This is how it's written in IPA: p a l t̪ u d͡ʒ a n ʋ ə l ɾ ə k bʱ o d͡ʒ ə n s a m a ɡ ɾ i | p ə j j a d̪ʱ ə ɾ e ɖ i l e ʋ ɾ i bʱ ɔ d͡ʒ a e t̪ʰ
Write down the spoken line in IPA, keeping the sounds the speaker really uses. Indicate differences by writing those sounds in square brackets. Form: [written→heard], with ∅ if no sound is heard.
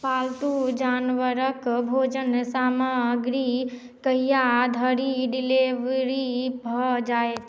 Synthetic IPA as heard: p a l t̪ u d͡ʒ a n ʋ ə [l→∅] ɾ ə k bʱ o d͡ʒ ə n s a m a ɡ ɾ i | [p→k] ə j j a d̪ʱ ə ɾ [e→i] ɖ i l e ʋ ɾ i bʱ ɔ d͡ʒ a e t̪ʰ